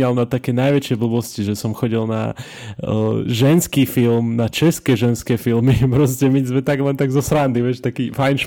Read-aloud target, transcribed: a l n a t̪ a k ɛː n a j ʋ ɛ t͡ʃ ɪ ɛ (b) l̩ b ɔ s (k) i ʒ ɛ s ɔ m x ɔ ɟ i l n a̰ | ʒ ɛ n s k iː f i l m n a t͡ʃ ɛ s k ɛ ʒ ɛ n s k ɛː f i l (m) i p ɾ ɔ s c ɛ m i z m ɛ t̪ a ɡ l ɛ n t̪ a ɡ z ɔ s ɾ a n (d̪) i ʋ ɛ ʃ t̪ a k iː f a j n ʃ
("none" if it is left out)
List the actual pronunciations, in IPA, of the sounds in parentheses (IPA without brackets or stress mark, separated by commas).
b, c, m, d̪